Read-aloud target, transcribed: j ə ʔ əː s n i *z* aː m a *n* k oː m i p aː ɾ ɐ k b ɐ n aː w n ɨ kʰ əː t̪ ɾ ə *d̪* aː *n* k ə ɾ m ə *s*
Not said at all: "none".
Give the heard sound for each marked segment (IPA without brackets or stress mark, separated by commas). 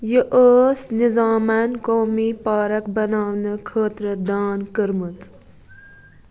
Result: z, n, d̪, n, t͡s